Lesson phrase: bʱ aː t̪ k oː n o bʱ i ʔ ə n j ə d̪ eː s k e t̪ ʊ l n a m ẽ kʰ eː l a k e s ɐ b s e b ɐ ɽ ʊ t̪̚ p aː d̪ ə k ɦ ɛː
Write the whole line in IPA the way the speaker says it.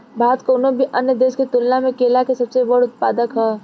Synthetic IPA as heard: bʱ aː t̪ k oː n o bʱ i ʔ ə n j ə d̪ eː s k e t̪ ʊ l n a m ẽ k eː l a k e s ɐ b s e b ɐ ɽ ʊ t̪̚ p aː d̪ ə k ɦ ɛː